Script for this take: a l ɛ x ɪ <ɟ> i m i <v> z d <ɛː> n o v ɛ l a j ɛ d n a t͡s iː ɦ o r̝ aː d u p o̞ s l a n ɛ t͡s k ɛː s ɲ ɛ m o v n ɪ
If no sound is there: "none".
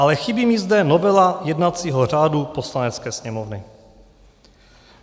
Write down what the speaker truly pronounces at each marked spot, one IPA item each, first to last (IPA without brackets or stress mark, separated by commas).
b, none, ɛ